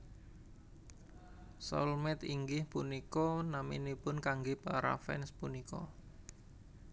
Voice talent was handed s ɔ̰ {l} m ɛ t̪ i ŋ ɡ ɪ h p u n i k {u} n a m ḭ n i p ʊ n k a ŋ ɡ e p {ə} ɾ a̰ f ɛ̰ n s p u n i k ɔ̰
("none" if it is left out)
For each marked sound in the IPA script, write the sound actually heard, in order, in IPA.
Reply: l, ɔ, a

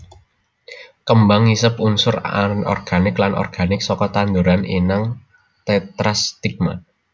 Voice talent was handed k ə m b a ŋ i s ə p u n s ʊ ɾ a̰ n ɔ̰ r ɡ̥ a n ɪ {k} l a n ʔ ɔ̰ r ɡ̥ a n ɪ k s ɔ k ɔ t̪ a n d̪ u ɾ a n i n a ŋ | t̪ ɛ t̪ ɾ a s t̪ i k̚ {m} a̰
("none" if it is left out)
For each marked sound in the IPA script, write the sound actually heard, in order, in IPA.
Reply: k, m

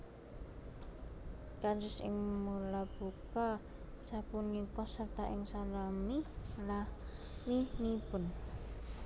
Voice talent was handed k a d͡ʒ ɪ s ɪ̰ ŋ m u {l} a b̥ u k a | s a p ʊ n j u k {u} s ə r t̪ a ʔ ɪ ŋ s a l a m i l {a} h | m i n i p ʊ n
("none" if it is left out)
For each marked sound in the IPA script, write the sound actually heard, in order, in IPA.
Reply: l, ɔ, a

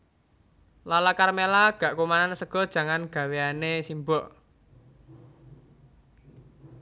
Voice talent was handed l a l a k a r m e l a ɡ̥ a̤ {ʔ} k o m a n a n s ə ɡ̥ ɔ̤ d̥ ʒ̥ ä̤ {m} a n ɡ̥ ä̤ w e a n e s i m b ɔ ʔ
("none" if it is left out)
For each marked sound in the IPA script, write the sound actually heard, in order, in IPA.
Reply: ʔ, ŋ

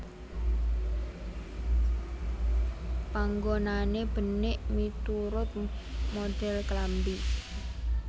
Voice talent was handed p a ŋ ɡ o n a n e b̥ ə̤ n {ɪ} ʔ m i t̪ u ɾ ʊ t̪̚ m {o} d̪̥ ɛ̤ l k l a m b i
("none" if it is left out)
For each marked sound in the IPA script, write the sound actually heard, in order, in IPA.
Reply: ɪ, o

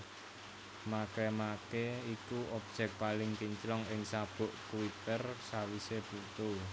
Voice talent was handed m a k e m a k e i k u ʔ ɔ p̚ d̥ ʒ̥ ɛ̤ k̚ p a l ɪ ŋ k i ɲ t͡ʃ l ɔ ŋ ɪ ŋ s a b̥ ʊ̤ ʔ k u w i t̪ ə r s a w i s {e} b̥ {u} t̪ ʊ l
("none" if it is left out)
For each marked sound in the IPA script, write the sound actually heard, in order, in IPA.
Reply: e, u

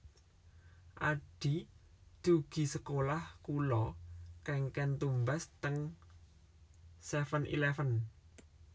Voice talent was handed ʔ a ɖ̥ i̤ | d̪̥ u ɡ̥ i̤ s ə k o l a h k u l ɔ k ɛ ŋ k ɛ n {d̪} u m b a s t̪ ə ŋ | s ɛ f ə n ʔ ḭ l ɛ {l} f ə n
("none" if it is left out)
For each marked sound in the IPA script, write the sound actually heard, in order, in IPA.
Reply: t̪, none

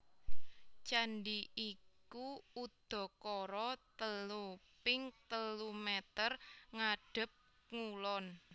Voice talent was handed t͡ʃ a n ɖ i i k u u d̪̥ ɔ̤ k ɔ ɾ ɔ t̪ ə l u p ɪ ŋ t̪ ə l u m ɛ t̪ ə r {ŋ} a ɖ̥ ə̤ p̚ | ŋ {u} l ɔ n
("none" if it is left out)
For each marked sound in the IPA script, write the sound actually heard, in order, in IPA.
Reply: ŋ, u

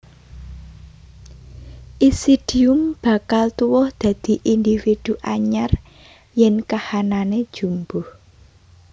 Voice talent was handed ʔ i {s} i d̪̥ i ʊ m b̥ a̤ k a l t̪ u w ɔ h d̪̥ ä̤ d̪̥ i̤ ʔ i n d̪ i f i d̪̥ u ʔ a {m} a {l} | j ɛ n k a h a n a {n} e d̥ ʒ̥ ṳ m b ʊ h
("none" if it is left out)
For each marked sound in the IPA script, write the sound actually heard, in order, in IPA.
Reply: s, ɲ, r, n

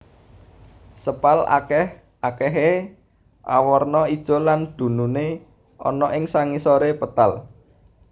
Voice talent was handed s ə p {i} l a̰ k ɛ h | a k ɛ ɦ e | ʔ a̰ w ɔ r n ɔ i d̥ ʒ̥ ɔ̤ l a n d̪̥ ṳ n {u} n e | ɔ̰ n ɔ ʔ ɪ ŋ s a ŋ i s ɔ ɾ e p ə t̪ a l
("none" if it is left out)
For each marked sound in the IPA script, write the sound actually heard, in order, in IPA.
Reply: a, u

